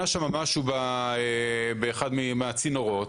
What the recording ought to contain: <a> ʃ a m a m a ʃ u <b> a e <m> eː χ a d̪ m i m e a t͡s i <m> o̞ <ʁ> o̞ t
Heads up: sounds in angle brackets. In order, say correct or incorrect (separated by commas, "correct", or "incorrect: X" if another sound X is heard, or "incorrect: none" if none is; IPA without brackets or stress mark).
correct, correct, incorrect: b, incorrect: n, correct